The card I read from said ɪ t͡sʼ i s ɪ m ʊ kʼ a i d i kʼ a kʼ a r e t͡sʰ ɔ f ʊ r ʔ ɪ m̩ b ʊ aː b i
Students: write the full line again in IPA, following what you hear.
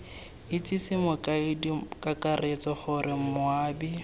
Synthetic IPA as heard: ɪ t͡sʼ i s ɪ m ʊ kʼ a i d i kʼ a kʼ a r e t͡s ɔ χ ʊ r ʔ ɪ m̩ m ʊ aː b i

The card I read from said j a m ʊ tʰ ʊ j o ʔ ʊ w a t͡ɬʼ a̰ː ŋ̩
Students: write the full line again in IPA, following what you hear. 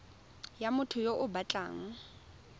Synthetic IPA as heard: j a m ʊ tʰ ʊ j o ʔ ʊ b a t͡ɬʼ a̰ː ŋ̩

